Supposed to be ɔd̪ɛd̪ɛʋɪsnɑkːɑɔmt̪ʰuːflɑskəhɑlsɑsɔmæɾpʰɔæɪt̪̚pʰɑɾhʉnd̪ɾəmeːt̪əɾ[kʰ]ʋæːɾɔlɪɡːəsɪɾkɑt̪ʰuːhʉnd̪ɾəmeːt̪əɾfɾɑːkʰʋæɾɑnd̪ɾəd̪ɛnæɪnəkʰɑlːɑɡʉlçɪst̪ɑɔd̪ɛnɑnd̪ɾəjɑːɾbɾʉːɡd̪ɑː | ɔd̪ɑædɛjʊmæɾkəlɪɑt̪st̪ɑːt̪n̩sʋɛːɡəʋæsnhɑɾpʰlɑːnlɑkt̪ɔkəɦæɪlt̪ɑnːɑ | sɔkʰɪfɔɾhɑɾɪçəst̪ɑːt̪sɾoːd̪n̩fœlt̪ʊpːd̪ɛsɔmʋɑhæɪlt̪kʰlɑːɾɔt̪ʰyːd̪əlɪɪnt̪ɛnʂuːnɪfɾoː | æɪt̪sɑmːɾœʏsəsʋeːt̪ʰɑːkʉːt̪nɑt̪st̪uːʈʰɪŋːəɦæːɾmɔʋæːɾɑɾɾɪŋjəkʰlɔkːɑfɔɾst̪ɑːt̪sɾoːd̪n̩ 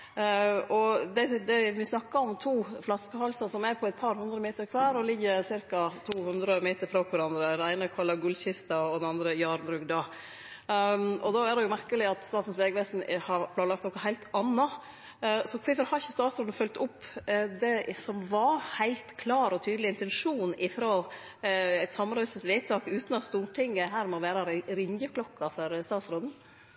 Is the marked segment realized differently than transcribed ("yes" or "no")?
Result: no